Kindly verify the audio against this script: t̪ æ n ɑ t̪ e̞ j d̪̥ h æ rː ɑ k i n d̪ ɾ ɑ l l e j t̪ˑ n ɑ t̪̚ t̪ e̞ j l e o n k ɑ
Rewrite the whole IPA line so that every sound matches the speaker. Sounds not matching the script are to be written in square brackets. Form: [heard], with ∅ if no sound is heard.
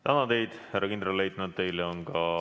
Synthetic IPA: t̪ æ n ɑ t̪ e̞ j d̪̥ h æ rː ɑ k i n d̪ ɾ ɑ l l e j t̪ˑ n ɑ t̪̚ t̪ e̞ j l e o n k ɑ